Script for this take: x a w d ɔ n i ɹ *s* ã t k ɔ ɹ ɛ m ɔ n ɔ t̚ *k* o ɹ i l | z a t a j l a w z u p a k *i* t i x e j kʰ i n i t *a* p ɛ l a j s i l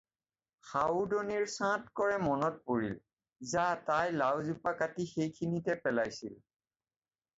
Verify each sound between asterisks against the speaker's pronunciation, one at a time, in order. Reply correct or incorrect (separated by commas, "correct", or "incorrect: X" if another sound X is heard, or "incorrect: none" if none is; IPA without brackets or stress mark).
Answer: correct, incorrect: p, incorrect: a, incorrect: ɛ